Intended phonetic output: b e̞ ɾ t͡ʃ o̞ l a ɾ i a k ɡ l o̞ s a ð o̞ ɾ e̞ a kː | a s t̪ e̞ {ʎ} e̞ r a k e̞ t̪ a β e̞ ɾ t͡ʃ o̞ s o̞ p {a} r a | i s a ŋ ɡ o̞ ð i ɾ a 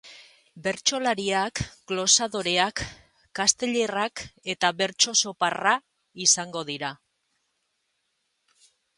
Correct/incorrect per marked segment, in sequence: correct, correct

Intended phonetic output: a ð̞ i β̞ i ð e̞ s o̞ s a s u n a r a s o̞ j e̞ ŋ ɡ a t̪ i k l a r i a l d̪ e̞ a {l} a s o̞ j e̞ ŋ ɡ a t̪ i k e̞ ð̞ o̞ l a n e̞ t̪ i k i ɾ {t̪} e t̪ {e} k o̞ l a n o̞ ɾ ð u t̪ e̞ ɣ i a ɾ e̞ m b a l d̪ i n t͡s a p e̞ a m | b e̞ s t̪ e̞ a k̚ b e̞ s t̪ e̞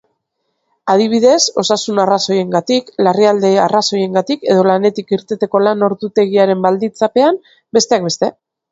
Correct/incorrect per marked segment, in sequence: incorrect: r, correct, correct

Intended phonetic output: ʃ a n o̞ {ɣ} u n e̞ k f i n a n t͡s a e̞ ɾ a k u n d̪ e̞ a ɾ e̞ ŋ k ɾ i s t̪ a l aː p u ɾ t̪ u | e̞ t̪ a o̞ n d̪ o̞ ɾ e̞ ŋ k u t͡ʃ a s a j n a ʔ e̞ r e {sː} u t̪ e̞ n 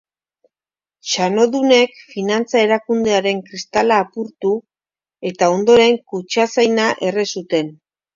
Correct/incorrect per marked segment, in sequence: incorrect: ð, incorrect: s

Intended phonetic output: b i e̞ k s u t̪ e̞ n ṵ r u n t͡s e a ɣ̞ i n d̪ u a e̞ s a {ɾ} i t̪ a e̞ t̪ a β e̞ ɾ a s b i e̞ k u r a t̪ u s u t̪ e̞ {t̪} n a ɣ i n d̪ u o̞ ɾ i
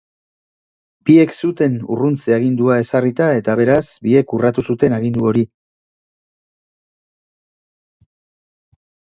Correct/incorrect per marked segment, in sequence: incorrect: r, incorrect: none

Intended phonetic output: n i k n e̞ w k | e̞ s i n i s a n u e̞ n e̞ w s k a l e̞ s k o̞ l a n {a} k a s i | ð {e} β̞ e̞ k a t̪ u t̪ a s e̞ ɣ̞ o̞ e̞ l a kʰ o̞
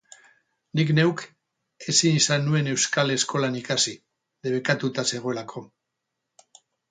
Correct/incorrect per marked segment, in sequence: incorrect: i, correct

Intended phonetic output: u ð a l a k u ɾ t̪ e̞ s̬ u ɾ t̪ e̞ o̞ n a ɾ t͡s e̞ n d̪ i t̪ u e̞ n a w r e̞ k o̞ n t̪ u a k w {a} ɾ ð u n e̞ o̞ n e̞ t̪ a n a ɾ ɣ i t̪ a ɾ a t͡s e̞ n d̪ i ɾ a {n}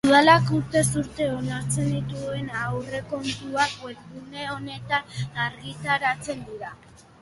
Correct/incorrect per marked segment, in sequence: incorrect: e, incorrect: none

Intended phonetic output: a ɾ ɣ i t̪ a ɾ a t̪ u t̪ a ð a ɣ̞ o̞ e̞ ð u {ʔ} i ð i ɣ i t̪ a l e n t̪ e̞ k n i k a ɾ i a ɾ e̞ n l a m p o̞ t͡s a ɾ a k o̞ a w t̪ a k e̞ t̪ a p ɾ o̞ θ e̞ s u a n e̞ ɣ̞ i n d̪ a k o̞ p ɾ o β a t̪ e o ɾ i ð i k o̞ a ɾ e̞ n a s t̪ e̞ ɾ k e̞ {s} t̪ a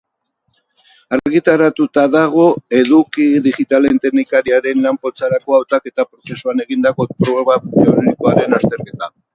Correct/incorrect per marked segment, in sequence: incorrect: k, incorrect: none

